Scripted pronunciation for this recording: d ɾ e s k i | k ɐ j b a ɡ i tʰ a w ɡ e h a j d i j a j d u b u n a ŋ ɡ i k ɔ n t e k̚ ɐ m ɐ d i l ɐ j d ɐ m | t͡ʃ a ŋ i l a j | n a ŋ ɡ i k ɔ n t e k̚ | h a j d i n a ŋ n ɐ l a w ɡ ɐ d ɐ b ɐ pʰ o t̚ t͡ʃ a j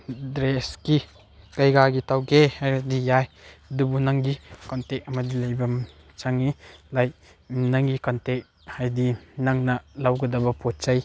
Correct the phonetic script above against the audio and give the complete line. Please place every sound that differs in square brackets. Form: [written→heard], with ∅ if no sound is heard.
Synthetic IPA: d ɾ e s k i | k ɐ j [b→ɡ] a ɡ i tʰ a w ɡ e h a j d i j a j d u b u n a ŋ ɡ i k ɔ n t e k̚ ɐ m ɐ d i l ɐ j [d→b] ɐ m | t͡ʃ a ŋ i l a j | n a ŋ ɡ i k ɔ n t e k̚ | h a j d i n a ŋ n ɐ l a w ɡ ɐ d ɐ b ɐ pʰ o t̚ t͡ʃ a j